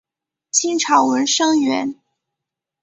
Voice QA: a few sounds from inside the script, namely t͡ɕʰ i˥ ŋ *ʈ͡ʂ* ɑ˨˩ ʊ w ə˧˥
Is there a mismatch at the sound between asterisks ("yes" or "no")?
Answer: yes